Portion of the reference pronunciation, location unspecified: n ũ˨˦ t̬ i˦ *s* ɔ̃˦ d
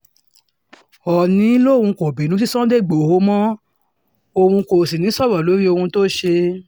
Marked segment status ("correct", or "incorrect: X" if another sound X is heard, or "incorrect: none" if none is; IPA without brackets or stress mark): correct